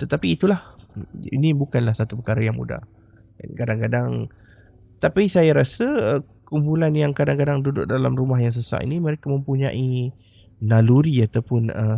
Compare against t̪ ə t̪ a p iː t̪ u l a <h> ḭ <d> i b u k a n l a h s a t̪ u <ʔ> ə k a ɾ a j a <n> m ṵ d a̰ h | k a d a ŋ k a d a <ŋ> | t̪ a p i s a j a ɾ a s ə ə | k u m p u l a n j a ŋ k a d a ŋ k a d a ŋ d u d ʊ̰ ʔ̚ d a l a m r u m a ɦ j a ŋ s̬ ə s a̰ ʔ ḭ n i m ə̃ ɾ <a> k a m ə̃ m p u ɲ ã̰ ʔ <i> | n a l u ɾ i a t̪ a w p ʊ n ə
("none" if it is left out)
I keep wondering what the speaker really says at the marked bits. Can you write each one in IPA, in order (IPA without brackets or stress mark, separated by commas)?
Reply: h, n, p, ŋ, ŋ, e, i